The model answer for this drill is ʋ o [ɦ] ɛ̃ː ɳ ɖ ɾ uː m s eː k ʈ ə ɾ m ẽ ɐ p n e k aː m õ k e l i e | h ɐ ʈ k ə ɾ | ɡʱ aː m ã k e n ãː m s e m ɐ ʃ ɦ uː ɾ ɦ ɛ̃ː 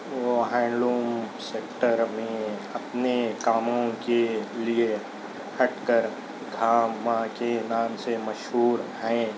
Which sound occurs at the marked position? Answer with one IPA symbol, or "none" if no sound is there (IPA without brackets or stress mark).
ɦ